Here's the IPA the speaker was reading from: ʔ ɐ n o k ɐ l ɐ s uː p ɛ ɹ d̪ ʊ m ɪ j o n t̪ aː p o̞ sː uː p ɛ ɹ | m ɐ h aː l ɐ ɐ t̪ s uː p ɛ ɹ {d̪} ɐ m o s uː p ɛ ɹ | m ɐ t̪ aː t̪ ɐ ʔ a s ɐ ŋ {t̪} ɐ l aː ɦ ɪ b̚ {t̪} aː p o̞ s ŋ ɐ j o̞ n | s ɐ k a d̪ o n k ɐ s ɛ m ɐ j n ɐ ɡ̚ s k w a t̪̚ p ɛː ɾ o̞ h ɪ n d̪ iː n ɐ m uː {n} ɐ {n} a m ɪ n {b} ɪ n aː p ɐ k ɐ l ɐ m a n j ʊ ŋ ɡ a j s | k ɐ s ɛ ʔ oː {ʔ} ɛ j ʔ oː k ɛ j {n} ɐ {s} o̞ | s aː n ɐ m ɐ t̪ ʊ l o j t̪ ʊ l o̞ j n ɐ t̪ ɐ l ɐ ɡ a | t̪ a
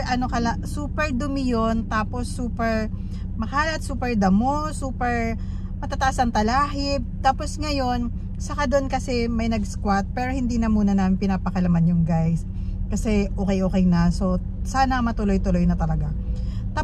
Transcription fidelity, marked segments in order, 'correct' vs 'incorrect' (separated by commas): correct, correct, correct, correct, correct, incorrect, incorrect, correct, correct